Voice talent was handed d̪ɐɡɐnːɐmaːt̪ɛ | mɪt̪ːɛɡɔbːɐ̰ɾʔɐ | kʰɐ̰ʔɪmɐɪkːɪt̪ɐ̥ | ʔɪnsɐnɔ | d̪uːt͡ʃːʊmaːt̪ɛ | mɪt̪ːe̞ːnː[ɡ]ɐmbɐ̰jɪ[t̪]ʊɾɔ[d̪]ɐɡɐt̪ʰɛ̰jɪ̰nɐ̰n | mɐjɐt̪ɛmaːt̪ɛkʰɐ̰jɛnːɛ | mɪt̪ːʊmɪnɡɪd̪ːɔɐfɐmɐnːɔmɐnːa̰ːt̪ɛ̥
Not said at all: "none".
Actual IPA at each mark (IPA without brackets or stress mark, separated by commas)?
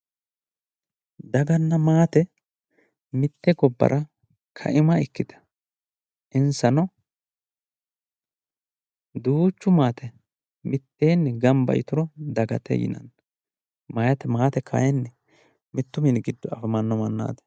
ɡ, t̪, d̪